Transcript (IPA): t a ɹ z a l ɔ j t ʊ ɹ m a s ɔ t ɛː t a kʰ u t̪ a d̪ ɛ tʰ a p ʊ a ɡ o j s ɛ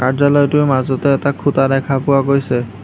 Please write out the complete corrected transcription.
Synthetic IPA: k a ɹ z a l ɔ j t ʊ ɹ m a z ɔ t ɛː t a kʰ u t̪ a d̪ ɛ kʰ a p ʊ a ɡ o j s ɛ